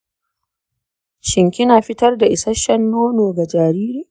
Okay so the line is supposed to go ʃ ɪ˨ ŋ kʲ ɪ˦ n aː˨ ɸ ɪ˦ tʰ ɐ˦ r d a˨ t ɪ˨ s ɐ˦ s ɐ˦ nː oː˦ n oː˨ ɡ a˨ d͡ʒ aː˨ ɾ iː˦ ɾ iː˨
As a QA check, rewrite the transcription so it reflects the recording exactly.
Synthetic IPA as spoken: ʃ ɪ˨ ŋ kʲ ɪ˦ n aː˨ ɸ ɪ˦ t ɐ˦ r d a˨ ʔ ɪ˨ s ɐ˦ ʃ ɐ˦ nː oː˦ n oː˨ ɡ a˨ d͡ʒ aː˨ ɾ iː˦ ɾ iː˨